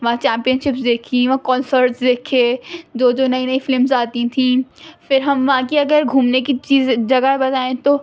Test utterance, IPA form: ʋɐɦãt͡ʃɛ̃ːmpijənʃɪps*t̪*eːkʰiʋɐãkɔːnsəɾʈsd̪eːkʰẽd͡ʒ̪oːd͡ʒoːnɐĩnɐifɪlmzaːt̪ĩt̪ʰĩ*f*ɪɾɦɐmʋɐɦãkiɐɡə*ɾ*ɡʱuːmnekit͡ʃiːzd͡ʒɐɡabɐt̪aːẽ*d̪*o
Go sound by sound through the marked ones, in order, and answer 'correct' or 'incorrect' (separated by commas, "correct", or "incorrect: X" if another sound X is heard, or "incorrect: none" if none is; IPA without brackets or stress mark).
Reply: incorrect: d̪, correct, correct, incorrect: t̪